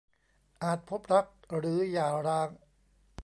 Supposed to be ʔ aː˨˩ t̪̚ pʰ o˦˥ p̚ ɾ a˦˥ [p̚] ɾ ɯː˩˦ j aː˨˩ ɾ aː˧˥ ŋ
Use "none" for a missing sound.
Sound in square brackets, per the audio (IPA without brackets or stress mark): k̚